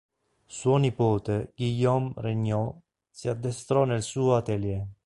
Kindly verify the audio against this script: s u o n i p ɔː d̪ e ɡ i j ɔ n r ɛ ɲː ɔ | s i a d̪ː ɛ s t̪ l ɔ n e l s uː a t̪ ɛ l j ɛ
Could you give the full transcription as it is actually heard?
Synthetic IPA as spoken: s u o n i p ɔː t̪ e ɡ i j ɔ m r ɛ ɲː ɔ | s i a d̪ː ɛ s t̪ ɾ ɔ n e l s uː a t̪ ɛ l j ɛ